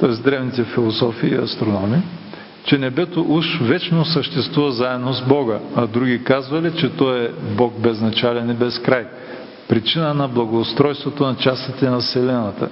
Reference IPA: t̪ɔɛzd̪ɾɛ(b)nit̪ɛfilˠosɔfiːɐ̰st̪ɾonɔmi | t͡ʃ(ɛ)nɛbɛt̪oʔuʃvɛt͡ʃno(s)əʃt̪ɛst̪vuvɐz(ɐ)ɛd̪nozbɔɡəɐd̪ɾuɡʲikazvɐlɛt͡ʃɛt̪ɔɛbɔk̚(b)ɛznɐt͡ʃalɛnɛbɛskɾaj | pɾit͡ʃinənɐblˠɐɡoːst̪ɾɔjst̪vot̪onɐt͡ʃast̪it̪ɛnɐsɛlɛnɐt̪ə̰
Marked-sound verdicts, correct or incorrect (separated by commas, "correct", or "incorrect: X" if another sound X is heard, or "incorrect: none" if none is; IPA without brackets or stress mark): incorrect: v, correct, correct, incorrect: a, correct